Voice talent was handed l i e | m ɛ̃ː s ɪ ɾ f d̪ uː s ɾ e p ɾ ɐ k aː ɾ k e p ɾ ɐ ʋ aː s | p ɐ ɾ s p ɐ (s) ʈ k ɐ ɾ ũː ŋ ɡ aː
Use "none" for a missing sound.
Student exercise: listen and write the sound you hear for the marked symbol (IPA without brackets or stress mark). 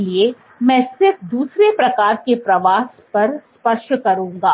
ʃ